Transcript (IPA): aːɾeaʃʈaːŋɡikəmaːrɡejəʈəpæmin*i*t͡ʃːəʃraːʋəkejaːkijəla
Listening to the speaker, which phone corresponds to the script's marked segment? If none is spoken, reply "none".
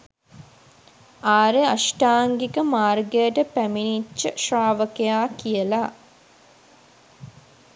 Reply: i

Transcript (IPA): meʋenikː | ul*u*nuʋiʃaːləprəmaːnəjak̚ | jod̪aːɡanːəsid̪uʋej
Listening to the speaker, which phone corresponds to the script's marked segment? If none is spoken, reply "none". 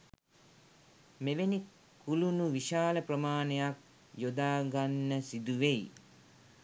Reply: u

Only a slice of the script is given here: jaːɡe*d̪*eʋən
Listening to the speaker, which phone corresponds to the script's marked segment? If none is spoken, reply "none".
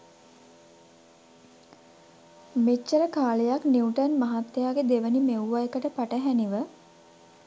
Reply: d̪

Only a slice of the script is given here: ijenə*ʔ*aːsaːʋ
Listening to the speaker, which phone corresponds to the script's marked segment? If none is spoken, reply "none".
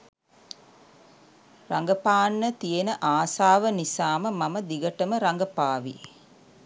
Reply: ʔ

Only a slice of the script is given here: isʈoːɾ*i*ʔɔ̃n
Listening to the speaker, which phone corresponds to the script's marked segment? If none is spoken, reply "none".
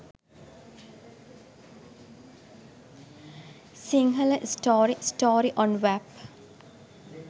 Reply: i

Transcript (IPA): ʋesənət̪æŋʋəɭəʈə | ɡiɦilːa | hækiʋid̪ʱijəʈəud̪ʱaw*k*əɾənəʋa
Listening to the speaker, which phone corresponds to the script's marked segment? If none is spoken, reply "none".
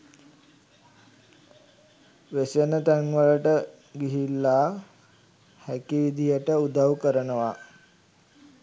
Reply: k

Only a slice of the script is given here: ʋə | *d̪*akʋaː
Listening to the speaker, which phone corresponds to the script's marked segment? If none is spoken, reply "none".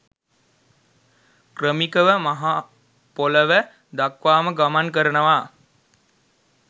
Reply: d̪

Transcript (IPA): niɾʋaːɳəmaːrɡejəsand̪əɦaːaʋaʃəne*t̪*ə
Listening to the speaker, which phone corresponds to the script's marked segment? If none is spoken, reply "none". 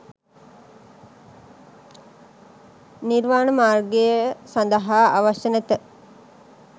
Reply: t̪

